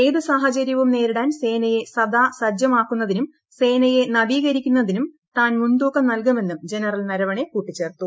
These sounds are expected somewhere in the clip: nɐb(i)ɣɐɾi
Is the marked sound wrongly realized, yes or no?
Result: yes